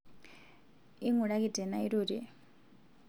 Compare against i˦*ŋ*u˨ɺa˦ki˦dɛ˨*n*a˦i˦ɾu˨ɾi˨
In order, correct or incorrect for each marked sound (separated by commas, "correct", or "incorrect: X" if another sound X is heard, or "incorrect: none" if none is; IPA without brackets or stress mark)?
correct, correct